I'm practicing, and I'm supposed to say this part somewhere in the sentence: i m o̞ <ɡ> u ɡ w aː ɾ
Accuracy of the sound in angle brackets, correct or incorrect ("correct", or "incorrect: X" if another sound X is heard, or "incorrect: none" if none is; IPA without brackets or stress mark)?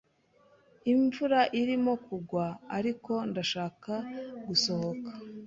incorrect: k